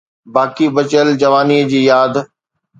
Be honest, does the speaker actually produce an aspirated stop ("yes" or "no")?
no